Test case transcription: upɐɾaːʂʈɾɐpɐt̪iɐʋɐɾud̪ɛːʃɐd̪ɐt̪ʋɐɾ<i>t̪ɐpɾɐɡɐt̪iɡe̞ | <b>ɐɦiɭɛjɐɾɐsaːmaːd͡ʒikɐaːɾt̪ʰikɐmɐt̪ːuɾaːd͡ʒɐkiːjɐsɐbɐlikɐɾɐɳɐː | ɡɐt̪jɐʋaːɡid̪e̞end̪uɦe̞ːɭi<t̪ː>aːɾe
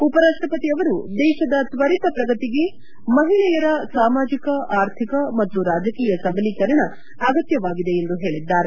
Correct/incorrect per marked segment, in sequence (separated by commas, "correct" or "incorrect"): correct, incorrect, incorrect